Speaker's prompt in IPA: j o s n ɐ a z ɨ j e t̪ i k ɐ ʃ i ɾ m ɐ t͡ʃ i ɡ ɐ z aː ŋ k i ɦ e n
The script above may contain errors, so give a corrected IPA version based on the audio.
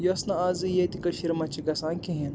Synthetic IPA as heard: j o s n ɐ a z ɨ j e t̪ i k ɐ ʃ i ɾ m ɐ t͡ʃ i ɡ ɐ s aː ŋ k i ɦ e n